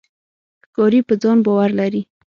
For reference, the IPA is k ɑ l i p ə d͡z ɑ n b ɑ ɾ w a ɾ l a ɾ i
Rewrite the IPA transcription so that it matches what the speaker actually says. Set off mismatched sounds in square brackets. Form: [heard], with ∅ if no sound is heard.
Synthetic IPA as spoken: k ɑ [ɾ] i p ə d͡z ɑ n b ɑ [∅] w a ɾ l a ɾ i